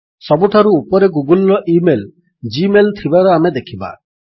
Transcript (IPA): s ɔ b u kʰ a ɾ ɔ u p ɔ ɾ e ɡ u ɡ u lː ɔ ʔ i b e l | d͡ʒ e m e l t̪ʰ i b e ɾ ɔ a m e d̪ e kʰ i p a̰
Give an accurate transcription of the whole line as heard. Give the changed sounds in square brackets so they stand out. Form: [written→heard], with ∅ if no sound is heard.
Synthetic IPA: s ɔ b u [kʰ→ʈʰ] a ɾ [ɔ→u] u p ɔ ɾ e ɡ u ɡ u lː ɔ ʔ i [b→m] e l | d͡ʒ [e→i] m e l t̪ʰ i b [e→a] ɾ ɔ a m e d̪ e kʰ i [p→b] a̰